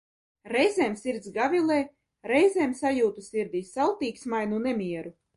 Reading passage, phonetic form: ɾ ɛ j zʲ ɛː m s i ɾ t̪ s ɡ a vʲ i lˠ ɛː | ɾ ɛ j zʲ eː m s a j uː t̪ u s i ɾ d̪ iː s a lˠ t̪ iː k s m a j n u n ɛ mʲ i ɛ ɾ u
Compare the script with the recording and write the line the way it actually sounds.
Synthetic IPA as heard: ɾ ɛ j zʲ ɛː m s i ɾ t̪ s ɡ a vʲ i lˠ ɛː | ɾ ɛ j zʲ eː m s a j uː t̪ u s i ɾ d̪ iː s a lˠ t̪ iː k s m a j n u n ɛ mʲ i ɛ ɾ u